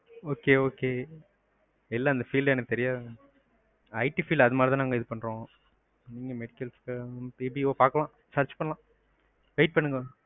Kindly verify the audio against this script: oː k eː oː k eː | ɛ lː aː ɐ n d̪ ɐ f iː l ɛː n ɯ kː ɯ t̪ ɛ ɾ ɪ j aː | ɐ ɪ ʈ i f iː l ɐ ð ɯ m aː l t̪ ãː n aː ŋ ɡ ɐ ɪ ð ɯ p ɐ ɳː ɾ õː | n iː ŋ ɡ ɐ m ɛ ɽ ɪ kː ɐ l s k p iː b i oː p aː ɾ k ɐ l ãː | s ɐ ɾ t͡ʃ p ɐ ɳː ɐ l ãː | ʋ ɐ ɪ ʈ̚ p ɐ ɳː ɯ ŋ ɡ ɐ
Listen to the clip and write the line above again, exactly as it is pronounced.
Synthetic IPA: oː k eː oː k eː | ɛ lː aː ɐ n d̪ ɐ f iː l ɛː n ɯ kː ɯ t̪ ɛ ɾ ɪ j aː | ɐ ɪ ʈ i f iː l ɐ ð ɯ m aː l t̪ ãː n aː ŋ ɡ ɐ ɪ ð ɯ p ɐ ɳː ɾ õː | n iː ŋ ɡ ɐ m ɛ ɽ ɪ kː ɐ l s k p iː b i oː p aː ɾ k ɐ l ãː | s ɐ ɾ t͡ʃ p ɐ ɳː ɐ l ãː | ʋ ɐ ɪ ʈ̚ p ɐ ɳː ɯ ŋ ɡ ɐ

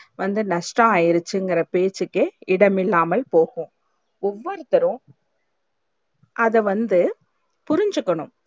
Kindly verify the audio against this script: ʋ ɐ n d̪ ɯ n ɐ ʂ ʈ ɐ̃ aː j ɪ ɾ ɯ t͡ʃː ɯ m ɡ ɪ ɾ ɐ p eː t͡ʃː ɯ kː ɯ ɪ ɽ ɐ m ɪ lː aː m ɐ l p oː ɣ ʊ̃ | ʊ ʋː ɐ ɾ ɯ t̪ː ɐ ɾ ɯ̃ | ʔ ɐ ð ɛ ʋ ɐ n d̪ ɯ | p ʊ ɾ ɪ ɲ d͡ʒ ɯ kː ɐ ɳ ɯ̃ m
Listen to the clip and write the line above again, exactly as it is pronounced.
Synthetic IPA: ʋ ɐ n d̪ ɯ n ɐ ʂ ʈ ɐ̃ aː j ɪ ɾ ɯ t͡ʃː ɯ ŋ ɡ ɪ ɾ ɐ p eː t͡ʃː ɯ kː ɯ ɪ ɽ ɐ m ɪ lː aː m ɐ l p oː ɣ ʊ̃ | ʊ ʋː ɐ ɾ ɯ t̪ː ɐ ɾ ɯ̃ | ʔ ɐ ð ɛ ʋ ɐ n d̪ ɯ | p ʊ ɾ ɪ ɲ d͡ʒ ɯ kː ɐ ɳ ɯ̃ m

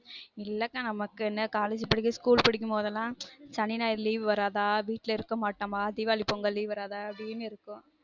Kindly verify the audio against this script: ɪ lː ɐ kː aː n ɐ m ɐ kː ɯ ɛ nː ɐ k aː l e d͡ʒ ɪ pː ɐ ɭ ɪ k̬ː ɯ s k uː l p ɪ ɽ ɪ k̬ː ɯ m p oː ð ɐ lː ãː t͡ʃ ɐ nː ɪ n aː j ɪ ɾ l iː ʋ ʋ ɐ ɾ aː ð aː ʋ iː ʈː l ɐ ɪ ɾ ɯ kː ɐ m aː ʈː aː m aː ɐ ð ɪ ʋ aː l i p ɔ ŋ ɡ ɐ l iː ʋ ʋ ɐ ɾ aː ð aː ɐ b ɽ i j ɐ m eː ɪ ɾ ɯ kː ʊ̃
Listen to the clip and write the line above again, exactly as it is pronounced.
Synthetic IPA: ɪ lː ɐ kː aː n ɐ m ɐ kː ɯ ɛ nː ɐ k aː l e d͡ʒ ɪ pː ɐ ɽ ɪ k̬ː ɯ s k uː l p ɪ ɽ ɪ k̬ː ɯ m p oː ð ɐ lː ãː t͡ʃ ɐ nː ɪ n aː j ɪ ɾ l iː ʋ ʋ ɐ ɾ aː ð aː ʋ iː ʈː l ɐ ɪ ɾ ɯ kː ɐ m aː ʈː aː m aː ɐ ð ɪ ʋ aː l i p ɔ ŋ ɡ ɐ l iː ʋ ʋ ɐ ɾ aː ð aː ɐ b ɽ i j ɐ m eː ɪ ɾ ɯ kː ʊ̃

